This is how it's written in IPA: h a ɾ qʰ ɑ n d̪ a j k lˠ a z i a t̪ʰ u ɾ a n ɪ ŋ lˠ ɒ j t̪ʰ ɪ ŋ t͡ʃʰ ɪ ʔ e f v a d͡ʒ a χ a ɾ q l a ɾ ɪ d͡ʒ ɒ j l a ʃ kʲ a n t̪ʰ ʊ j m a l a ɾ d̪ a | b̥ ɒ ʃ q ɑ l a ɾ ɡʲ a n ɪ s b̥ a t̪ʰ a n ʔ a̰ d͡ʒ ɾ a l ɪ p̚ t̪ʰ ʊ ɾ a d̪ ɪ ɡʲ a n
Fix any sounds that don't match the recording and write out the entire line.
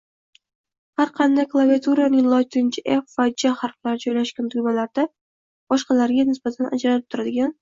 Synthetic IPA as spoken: h a ɾ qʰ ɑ n d̪ a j k lˠ a v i a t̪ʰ u ɾ a n ɪ ŋ lˠ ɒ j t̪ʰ ɪ n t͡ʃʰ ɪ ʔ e f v a d͡ʒ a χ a ɾ q l a ɾ ɪ d͡ʒ ɒ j l a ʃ kʲ a n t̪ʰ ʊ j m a l a ɾ d̪ a | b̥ ɒ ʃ q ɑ l a ɾ ɡʲ a n ɪ s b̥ a t̪ʰ a n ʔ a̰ d͡ʒ ɾ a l ɪ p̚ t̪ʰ ʊ ɾ a d̪ ɪ ɡʲ a n

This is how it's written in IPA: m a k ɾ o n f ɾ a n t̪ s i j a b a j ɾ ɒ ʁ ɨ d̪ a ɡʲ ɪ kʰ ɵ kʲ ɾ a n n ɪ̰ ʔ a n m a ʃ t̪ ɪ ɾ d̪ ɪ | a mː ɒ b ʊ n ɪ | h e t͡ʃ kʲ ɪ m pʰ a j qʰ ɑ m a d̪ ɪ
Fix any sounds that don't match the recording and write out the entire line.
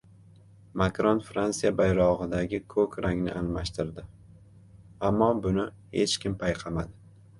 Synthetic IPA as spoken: m a k ɾ o n f ɾ a n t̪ s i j a b a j ɾ ɒ ʁ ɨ d̪ a ɡʲ ɪ kʰ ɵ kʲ ɾ a ŋ n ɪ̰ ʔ a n m a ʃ t̪ ɪ ɾ d̪ ɪ | a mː ɒ b ʊ n ɪ | h e t͡ʃ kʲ ɪ m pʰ a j qʰ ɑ m a d̪ ɪ

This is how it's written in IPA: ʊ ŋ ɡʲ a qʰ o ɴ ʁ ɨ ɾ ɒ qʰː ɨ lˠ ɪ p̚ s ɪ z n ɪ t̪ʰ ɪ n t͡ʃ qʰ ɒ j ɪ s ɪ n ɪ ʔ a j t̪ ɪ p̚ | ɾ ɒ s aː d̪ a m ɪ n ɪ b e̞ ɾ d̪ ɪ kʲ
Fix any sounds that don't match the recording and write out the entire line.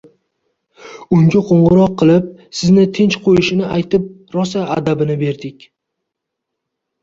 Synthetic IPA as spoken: ʊ ŋ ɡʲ a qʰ o ɴ ʁ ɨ ɾ ɒ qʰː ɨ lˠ ɪ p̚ s ɪ z n ɪ t̪ʰ ɪ n t͡ʃ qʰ o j ɪ ʃ ɪ n ɪ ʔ a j t̪ ɪ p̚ | ɾ ɒ s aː d̪ a b ɪ n ɪ b e̞ ɾ d̪ ɪ kʲ

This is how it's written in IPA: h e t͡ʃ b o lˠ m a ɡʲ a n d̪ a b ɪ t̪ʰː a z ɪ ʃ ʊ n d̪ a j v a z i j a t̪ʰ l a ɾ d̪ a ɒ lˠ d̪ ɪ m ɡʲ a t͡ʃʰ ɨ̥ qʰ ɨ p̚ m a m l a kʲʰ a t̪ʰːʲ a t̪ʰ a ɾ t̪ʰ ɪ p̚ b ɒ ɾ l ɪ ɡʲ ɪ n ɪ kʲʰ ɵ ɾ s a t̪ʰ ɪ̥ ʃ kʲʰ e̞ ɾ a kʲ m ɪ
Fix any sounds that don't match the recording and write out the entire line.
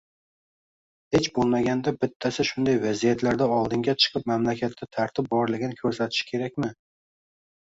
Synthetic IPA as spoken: h e t͡ʃ b o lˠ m a ɡʲ a n d̪ a b ɪ t̪ʰː a s ɪ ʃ ʊ n d̪ a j v a z i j a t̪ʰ l a ɾ d̪ a ɒ lˠ d̪ ɪ ŋ ɡʲ a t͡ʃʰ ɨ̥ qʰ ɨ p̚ m a m l a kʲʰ a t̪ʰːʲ a t̪ʰ a ɾ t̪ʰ ɪ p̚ b ɒ ɾ l ɪ ɡʲ ɪ n ɪ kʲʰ ɵ ɾ s a t̪ʰ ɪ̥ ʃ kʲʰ e̞ ɾ a kʲ m ɪ

